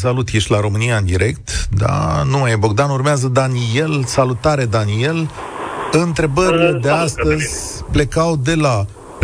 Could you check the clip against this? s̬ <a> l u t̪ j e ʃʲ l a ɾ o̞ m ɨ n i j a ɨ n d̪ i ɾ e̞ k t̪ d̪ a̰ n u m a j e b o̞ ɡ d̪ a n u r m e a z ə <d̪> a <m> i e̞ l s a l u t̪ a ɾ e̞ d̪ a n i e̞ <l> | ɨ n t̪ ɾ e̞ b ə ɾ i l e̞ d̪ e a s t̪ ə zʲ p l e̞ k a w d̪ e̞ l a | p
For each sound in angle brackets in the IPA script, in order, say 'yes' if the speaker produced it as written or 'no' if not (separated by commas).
yes, yes, no, yes